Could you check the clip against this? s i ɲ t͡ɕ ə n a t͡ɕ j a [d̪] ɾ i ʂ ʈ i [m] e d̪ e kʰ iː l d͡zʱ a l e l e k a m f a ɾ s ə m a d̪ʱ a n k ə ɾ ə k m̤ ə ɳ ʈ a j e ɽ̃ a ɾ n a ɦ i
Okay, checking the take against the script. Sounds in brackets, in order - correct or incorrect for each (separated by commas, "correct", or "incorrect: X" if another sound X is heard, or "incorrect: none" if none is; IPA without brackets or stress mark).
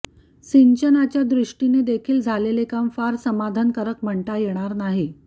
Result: correct, incorrect: n